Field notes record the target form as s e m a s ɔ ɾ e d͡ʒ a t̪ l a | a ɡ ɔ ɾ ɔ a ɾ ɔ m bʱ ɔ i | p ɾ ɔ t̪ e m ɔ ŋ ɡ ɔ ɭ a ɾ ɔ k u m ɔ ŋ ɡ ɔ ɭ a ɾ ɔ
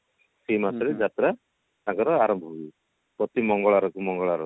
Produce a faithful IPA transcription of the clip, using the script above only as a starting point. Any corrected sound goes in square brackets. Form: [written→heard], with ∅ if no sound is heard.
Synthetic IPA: s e m a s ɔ ɾ e d͡ʒ a t̪ [l→ɾ] a | a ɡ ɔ ɾ ɔ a ɾ ɔ m bʱ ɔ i | p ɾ ɔ t̪ [e→i] m ɔ ŋ ɡ ɔ ɭ a ɾ ɔ k u m ɔ ŋ ɡ ɔ ɭ a ɾ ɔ